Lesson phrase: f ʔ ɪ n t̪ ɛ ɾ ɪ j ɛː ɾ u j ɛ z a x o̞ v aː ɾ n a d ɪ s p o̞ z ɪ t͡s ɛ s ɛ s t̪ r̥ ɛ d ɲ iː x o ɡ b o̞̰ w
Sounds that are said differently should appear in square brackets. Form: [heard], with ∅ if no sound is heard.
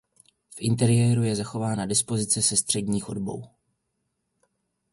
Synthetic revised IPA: f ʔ ɪ n t̪ ɛ ɾ ɪ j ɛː ɾ u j ɛ z a x o̞ v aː [∅] n a d ɪ s p o̞ z ɪ t͡s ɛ s ɛ s t̪ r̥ ɛ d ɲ iː x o [d] b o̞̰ w